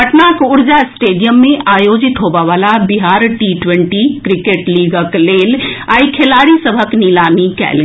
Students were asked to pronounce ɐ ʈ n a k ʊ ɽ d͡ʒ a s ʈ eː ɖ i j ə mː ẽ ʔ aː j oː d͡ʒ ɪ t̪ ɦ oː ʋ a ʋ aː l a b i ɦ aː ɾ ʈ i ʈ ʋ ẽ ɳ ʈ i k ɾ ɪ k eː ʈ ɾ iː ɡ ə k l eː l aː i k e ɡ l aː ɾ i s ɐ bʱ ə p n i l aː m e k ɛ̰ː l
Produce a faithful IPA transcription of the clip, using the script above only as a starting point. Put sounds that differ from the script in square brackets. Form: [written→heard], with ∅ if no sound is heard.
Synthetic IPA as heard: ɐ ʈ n a k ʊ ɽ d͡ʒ a s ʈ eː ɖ i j ə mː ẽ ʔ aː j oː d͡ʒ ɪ t̪ ɦ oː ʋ a ʋ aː l a b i ɦ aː ɾ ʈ i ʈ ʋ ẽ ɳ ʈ i k ɾ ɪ k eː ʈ [ɾ→l] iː ɡ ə k l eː l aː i [k→kʰ] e [ɡ→∅] l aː ɾ i s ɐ bʱ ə [p→k] n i l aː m [e→i] k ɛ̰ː l